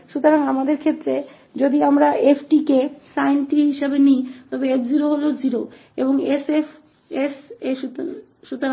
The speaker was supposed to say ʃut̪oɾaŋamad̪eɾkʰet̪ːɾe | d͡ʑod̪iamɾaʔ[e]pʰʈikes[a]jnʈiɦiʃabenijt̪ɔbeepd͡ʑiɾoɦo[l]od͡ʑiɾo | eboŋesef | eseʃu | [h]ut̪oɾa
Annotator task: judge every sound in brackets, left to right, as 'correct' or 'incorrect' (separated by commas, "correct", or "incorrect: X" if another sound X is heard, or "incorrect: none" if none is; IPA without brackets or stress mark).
correct, correct, correct, incorrect: ʃ